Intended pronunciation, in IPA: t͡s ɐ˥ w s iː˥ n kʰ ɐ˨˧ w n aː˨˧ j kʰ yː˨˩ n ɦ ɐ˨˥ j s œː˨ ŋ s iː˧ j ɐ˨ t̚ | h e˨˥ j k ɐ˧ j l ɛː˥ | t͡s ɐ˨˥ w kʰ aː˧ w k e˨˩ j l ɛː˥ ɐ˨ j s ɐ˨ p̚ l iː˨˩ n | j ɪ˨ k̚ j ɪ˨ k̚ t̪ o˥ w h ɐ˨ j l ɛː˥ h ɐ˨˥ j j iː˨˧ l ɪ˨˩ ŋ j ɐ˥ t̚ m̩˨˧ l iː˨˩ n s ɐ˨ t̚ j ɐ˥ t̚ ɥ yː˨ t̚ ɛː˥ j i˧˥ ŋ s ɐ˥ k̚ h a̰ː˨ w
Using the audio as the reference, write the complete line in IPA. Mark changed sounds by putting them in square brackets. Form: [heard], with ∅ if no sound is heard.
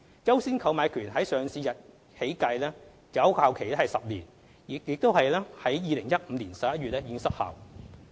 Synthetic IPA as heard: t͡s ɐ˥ w s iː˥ n kʰ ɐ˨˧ w [m] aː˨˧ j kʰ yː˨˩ n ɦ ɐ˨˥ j s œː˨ ŋ s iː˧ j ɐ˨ t̚ | h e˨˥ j k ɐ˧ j l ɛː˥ | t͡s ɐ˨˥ w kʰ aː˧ w [kʰ] e˨˩ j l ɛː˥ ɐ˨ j s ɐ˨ p̚ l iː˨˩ n | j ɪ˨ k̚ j ɪ˨ k̚ t̪ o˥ w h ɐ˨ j l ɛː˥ h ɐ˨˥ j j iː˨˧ l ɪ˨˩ ŋ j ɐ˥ t̚ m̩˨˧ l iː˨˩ n s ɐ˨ [p̚] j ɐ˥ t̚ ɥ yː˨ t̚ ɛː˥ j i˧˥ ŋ s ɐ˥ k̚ h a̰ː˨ w